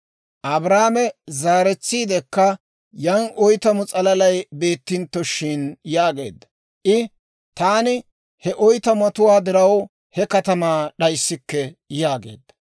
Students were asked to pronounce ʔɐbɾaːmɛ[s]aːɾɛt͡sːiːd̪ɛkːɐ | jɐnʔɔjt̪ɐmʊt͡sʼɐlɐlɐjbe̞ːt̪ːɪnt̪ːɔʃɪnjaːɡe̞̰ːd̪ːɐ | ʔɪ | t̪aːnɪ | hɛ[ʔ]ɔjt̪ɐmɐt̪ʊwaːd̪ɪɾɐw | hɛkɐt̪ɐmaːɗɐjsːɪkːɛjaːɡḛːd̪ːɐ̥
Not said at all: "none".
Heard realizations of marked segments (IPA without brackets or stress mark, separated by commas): z, ʔ